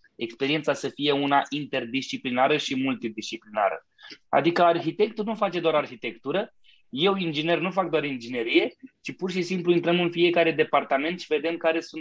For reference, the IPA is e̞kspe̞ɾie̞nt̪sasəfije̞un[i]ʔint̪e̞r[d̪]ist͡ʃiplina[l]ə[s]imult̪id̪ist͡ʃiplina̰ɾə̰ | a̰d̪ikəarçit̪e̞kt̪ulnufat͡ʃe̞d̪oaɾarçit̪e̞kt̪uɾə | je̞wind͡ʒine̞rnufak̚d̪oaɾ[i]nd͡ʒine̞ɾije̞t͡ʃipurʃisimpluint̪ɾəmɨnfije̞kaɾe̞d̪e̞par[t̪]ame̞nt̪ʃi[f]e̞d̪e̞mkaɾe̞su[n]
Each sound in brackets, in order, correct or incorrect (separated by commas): incorrect, correct, incorrect, incorrect, correct, correct, incorrect, correct